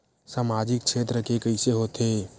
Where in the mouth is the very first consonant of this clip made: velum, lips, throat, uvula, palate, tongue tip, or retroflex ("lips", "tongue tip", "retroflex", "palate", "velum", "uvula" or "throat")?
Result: tongue tip